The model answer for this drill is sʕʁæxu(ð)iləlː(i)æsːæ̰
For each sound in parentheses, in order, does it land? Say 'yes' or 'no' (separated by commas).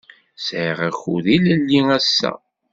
yes, yes